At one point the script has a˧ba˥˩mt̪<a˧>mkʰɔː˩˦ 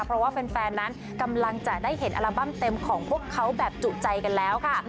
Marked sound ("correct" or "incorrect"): incorrect